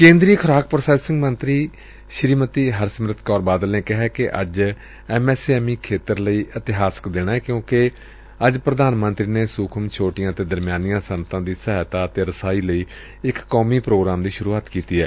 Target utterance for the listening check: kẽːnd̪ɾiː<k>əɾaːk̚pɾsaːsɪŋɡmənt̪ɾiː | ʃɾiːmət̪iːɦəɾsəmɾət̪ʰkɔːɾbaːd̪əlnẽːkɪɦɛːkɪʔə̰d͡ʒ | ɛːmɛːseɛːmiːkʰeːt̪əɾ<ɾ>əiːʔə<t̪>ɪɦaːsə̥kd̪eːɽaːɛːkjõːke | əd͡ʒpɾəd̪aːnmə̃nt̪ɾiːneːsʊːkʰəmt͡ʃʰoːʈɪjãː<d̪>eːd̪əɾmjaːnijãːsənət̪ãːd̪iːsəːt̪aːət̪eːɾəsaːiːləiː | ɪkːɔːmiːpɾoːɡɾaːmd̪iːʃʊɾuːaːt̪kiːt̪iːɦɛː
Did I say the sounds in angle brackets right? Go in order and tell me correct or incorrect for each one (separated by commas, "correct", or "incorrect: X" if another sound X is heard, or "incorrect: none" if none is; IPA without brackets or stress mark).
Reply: incorrect: kʰ, incorrect: l, correct, incorrect: t̪